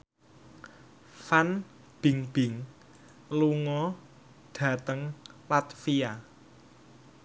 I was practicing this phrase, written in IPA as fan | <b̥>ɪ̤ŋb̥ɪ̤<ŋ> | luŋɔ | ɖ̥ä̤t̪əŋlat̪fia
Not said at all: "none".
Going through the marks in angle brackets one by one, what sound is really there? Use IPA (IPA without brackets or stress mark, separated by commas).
b̥, ŋ